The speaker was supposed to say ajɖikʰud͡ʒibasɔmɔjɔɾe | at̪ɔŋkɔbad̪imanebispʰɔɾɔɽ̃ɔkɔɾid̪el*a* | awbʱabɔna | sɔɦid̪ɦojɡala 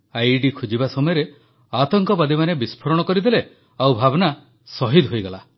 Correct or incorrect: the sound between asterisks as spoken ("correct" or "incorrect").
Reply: incorrect